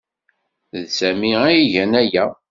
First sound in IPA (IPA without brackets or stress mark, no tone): ð